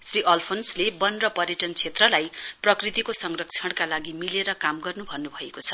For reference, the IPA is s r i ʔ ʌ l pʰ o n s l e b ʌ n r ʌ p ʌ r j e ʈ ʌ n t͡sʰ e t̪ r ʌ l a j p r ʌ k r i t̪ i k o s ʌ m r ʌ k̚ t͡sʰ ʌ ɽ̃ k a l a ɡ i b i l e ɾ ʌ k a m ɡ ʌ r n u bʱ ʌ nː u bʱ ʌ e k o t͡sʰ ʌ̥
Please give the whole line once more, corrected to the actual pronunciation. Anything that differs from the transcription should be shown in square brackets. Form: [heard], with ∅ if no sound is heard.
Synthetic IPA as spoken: s r i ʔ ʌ l pʰ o n s l e b ʌ n r ʌ p ʌ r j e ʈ ʌ n t͡sʰ e t̪ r ʌ l a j p r ʌ k r i t̪ i k o s ʌ [ŋ] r ʌ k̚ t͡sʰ ʌ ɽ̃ k a l a ɡ i [m] i l e ɾ ʌ k a m ɡ ʌ r n u bʱ ʌ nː u bʱ ʌ e k o t͡sʰ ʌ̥